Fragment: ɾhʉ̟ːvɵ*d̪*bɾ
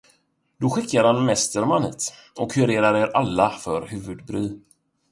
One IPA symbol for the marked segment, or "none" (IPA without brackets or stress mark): d̪